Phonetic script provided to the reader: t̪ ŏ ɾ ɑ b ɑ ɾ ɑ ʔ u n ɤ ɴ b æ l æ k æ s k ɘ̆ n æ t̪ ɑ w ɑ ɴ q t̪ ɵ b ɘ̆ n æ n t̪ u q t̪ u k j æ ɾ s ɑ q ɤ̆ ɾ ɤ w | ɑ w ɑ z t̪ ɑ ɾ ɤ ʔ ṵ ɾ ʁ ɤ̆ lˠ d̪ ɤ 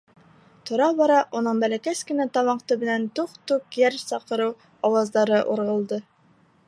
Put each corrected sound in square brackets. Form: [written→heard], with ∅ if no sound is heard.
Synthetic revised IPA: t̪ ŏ ɾ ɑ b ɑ ɾ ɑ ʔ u n ɤ ɴ b æ l æ k æ s k ɘ̆ n æ t̪ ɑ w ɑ ɴ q t̪ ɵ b ɘ̆ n æ n t̪ u q t̪ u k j æ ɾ s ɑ q ɤ̆ ɾ ɤ w | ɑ w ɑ z [t̪→d̪] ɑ ɾ ɤ ʔ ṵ ɾ ʁ ɤ̆ lˠ d̪ ɤ